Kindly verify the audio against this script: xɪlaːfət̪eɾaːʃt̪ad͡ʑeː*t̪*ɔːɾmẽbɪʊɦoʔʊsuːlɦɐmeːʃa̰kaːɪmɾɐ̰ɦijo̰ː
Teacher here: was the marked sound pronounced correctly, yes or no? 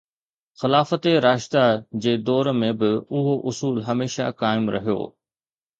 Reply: no